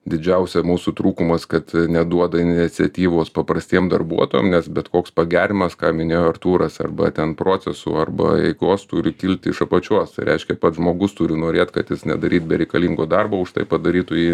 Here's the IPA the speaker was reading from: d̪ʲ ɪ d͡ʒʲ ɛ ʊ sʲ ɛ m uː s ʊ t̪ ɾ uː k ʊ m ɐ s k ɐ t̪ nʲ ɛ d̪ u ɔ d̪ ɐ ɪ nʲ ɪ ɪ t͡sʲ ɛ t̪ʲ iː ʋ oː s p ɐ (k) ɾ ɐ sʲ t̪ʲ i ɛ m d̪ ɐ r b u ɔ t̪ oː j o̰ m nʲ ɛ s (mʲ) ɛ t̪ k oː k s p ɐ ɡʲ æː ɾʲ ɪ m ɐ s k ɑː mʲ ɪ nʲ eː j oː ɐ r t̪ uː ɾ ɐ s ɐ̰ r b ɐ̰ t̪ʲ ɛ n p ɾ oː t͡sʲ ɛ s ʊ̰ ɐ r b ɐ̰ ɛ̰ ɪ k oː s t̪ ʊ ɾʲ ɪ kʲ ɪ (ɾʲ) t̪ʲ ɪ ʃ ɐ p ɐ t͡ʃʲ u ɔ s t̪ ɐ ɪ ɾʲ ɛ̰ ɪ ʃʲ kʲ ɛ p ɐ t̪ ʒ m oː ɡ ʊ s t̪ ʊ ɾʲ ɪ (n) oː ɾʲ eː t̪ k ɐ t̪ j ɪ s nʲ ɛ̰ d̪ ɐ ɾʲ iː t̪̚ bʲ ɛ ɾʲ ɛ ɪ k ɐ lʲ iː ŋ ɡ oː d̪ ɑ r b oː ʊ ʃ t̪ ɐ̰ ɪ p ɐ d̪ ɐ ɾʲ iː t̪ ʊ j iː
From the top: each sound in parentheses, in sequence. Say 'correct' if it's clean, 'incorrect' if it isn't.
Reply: incorrect, incorrect, incorrect, correct

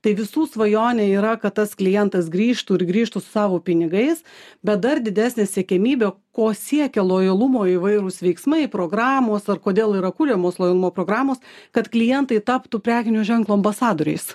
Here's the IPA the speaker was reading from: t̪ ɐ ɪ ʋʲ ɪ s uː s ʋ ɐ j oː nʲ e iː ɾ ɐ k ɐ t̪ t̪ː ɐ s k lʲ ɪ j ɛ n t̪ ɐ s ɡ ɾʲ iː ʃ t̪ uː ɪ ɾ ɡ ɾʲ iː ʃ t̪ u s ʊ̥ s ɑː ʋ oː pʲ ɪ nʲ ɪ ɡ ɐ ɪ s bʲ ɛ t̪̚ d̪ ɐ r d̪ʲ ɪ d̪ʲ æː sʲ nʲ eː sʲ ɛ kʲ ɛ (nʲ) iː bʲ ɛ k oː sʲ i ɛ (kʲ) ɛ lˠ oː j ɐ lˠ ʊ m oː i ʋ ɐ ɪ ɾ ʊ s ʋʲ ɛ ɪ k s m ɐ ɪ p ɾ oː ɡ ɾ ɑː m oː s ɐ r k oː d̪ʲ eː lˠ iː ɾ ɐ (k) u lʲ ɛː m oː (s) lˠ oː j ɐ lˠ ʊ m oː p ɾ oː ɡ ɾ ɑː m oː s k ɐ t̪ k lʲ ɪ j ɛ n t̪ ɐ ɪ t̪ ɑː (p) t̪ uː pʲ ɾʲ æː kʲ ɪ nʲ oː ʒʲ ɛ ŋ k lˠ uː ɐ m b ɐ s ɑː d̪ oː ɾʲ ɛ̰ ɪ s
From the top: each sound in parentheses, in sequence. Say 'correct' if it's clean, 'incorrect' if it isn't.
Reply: incorrect, correct, correct, correct, correct

